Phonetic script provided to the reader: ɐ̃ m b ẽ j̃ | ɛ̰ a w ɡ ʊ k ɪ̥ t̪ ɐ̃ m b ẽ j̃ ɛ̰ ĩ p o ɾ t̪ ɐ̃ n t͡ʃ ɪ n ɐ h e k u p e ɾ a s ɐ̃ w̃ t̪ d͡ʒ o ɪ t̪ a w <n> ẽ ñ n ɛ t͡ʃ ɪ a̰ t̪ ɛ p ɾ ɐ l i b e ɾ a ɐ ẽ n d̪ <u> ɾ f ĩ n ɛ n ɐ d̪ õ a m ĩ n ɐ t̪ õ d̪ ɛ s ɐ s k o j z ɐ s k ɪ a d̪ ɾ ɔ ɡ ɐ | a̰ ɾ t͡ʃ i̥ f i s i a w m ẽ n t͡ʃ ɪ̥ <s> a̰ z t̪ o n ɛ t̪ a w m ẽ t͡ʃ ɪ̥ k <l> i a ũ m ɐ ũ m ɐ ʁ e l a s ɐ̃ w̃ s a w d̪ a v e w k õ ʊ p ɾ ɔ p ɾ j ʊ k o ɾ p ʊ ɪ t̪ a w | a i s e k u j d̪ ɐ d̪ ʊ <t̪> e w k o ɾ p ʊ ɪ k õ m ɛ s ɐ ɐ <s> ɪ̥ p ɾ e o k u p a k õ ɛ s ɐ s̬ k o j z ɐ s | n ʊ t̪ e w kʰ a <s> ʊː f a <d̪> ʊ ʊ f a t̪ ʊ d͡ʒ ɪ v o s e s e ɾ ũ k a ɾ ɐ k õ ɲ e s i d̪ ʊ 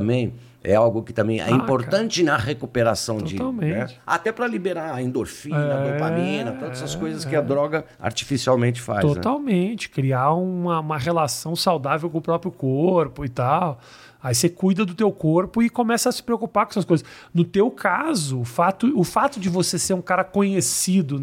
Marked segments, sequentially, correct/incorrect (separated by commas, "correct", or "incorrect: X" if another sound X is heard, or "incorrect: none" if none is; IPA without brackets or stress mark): incorrect: m, incorrect: o, incorrect: f, incorrect: ɾ, correct, correct, incorrect: z, incorrect: t̪